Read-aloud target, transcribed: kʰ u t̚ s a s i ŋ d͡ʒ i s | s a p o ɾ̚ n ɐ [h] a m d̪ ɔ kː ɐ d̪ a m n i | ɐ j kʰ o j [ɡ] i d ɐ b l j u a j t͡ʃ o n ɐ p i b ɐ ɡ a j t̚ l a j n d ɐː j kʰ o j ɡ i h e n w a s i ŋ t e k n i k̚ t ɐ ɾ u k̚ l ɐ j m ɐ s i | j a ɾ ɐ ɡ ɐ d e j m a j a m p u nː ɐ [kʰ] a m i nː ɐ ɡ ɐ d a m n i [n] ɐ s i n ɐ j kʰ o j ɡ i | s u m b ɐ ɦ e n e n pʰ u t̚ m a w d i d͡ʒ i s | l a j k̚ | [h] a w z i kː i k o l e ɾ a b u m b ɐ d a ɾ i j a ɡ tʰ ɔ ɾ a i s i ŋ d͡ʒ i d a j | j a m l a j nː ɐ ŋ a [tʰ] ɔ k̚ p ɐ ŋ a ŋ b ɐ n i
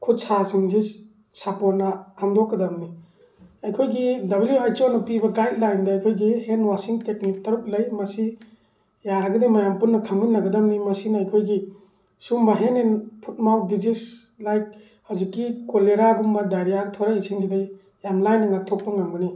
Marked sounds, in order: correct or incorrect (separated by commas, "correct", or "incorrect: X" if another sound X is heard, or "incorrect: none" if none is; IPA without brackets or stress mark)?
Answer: correct, correct, correct, incorrect: m, correct, correct